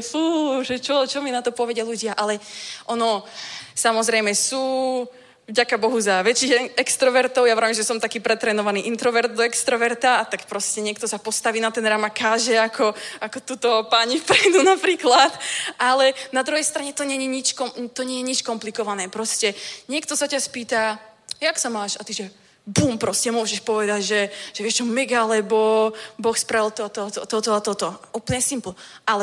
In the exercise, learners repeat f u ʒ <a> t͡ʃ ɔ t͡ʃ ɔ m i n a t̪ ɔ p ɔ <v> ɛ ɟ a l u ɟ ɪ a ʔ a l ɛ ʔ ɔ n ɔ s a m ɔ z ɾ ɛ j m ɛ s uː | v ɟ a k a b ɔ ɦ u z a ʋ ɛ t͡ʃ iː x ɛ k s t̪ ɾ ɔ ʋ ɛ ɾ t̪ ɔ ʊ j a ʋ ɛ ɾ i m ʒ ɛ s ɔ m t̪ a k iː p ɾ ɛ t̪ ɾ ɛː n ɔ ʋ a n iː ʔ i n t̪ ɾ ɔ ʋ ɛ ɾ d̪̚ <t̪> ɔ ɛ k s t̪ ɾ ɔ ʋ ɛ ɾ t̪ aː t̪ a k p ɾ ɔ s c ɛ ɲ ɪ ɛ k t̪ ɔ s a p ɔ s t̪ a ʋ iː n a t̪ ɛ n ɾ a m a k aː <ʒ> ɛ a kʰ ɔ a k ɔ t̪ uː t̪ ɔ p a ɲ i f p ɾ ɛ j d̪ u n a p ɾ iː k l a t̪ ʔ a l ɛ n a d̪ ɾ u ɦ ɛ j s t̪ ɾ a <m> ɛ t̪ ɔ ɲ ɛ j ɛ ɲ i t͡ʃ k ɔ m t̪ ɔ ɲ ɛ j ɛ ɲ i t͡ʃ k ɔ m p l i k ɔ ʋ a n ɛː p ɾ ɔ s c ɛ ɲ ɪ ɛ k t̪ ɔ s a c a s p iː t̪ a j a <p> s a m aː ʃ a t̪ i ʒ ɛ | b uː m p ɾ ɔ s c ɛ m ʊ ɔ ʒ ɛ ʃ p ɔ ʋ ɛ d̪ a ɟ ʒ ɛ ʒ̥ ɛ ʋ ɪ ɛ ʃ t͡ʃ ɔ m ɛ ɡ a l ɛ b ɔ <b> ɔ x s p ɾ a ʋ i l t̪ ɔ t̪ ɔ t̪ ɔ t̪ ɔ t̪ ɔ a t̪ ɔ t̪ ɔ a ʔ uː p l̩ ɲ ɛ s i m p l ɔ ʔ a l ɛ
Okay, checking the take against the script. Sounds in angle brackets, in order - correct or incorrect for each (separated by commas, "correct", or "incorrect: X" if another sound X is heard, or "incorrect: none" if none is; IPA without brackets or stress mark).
incorrect: ɛ, incorrect: ʋ, incorrect: d̪, correct, incorrect: ɲ, incorrect: k, correct